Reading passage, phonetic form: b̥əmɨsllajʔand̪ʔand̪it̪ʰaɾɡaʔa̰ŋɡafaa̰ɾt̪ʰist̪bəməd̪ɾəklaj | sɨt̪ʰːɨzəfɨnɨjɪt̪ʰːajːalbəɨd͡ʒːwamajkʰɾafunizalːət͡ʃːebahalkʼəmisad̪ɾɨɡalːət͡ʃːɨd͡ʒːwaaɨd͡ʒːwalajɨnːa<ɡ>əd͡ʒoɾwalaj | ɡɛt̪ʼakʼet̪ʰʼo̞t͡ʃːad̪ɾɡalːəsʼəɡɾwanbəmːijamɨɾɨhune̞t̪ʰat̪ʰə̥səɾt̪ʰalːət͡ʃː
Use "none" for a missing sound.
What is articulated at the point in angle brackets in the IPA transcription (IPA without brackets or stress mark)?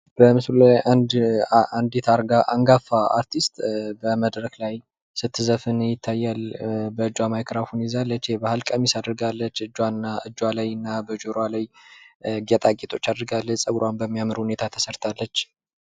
b